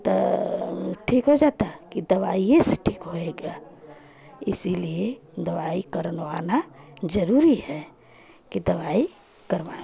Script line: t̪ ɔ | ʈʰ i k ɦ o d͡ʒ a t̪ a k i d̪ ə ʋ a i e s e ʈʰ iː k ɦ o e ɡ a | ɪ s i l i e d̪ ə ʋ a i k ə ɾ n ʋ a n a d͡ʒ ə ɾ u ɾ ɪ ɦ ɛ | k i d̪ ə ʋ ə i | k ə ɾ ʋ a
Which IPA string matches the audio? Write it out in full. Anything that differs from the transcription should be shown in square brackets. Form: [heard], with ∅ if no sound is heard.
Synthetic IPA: t̪ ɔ | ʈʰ i k ɦ o d͡ʒ a t̪ a k i d̪ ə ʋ a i e s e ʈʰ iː k ɦ o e ɡ a | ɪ s i l i e d̪ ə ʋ a i k ə ɾ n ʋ a n a d͡ʒ ə ɾ u ɾ [i] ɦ ɛ | k i d̪ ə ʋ [a] i | k ə ɾ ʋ a